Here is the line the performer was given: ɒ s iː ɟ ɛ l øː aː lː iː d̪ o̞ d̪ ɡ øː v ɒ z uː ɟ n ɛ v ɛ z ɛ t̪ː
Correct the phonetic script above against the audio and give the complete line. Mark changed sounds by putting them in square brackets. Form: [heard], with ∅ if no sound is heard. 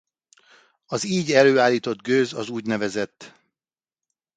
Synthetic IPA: ɒ [z] iː ɟ ɛ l øː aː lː iː [t̪] o̞ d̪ ɡ øː [z] ɒ z uː ɟ n ɛ v ɛ z ɛ t̪ː